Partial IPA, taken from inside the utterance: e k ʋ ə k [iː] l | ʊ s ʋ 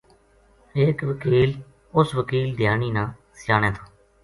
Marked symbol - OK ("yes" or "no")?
yes